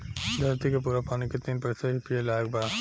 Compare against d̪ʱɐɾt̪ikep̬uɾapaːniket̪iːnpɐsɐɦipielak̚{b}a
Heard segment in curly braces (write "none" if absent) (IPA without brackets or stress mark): b